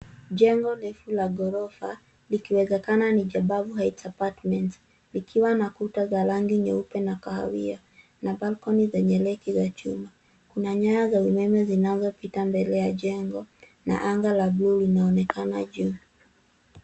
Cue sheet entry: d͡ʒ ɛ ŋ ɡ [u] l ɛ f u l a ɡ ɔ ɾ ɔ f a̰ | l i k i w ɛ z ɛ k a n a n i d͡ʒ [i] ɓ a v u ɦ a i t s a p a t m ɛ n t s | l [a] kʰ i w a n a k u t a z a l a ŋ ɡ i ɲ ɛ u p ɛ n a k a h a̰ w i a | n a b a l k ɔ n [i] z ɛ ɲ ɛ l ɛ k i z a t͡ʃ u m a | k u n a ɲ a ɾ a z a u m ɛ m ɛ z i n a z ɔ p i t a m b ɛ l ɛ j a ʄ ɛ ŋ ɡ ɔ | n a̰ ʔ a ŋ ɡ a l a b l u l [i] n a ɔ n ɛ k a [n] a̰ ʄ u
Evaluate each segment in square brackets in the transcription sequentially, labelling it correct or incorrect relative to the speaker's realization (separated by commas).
incorrect, incorrect, incorrect, correct, correct, correct